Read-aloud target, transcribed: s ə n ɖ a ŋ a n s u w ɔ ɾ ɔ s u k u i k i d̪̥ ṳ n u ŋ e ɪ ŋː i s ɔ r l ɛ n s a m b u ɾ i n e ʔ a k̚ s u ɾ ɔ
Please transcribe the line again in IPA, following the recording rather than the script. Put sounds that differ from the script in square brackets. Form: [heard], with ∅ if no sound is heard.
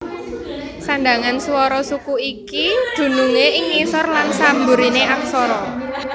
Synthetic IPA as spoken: s [a] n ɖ a ŋ a n s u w ɔ ɾ ɔ s u k u i k i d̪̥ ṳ n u ŋ e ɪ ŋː i s ɔ r l [a] n s a m b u ɾ i n e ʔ a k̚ s [ɔ] ɾ ɔ